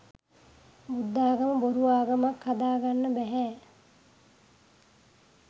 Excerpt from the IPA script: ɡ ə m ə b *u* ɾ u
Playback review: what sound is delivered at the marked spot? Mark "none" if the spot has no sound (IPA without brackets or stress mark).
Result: o